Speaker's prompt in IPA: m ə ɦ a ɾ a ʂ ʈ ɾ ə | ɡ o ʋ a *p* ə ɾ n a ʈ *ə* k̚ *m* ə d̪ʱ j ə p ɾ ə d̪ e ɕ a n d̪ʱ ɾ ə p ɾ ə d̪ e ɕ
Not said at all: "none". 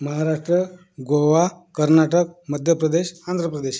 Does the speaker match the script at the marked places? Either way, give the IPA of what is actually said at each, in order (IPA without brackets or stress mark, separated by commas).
k, ə, m